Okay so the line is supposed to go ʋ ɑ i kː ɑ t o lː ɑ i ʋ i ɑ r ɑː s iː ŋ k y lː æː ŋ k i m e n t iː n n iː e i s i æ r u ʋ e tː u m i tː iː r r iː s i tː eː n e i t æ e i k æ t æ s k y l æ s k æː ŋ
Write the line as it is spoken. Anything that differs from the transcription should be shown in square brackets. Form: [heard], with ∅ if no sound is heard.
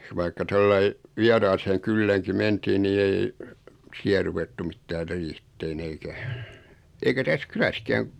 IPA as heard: ʋ ɑ i kː ɑ t o lː ɑ i ʋ i ɑ r ɑː s [eː] ŋ k y lː æː ŋ k i m e n t iː n n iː e i s i æ r u ʋ e tː u m i tː [æː] r r iː [h] i tː eː n e i [k] æ e i k æ t æ s k y l æ s k æː ŋ

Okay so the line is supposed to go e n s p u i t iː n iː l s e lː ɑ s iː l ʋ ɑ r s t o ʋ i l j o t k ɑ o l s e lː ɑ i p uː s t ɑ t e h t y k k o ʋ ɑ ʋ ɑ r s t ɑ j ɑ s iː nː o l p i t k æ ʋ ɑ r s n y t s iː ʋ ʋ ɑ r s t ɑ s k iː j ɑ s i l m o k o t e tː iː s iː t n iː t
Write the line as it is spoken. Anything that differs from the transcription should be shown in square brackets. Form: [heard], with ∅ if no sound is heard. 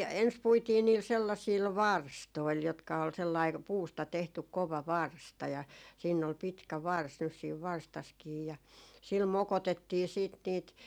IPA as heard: e n s p u i t iː n iː l s e lː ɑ s iː l ʋ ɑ r s t o [∅] i l j o t k ɑ o l s e lː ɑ i p uː s t ɑ t e h t y k k o ʋ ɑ ʋ ɑ r s t ɑ j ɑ s iː nː o l p i t k æ ʋ ɑ r s n y [s] s iː ʋ ʋ ɑ r s t ɑ s k iː j ɑ s i l m o k o t e tː iː s iː t n iː t

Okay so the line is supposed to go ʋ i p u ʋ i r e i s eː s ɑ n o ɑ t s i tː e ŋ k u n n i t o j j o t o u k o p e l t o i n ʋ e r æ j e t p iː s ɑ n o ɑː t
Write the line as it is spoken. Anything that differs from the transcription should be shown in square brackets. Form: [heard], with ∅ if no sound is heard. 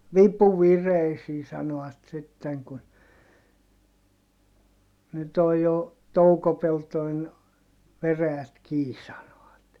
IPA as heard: ʋ i p u ʋ i r e i s [iː] s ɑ n o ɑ t s i tː e ŋ k u n n [y] t o j j o t o u k o p e l t o i n ʋ e r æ j [æ] t [k] iː s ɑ n o [ɑ] t

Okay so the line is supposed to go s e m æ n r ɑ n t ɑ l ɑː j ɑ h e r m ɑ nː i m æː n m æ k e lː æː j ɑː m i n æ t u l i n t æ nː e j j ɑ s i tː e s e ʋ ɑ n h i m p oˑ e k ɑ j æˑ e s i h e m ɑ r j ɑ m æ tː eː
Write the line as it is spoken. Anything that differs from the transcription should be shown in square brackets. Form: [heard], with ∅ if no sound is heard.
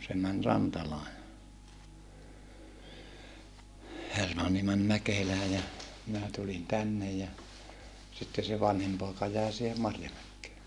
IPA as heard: s e m æ n r ɑ n t ɑ l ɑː j ɑ h e r m ɑ nː i m [æ] n m æ k e [l] æː j [ɑ] m i n æ t u l i n t æ nː e j j ɑ s i tː e s e ʋ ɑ n h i m p oˑ e k ɑ j æˑ e s i h e m ɑ r j ɑ m æ [kː] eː

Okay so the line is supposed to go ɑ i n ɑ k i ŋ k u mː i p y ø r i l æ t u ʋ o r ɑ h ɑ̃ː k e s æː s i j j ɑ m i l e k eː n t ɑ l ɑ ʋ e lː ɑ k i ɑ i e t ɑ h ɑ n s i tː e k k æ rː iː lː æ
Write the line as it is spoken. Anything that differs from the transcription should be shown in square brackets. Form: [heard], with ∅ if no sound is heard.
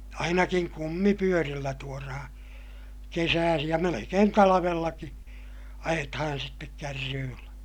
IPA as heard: ɑ i n ɑ k i ŋ k u mː i p y ø r i [lː] æ t u [∅] o r ɑ h ɑ̃ː k e s æː s i j j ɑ m [e] l e k eː n t ɑ l ɑ ʋ e lː ɑ k i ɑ [j] e t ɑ h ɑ n s i tː e k k æ rː [yː] lː æ

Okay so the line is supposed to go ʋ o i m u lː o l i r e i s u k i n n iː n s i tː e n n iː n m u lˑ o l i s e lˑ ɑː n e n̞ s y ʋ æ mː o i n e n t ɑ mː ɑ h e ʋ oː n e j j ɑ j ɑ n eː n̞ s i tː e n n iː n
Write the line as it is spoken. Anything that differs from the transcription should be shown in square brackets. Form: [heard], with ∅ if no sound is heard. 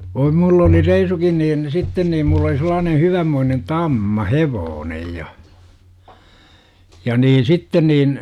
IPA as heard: ʋ o i m u lː o l i r e i s u k i n n iː n s i tː e n n iː [m] m u lˑ o l i s e lˑ ɑː n e n̞ [h] y ʋ æ mː o i n e n t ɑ mː ɑ h e ʋ oː n e j j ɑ j ɑ n [iː] n̞ s i tː e n n iː n

